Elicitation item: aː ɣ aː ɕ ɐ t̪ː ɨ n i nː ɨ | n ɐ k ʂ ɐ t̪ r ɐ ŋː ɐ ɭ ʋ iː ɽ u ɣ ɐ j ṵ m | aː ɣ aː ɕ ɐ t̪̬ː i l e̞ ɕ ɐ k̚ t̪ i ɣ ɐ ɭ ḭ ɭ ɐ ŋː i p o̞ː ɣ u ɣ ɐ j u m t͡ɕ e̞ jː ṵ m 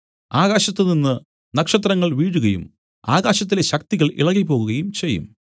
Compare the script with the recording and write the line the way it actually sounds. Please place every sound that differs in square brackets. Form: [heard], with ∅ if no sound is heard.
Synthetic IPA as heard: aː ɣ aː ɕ ɐ t̪ː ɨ n i nː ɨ | n ɐ k ʂ ɐ t̪ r ɐ ŋː ɐ ɭ ʋ iː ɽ u ɣ ɐ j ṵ m | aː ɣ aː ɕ ɐ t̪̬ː i l e̞ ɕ ɐ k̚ t̪ i ɣ ɐ ɭ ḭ ɭ ɐ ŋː i p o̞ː ɣ u ɣ ɐ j u m t͡ɕ e̞ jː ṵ m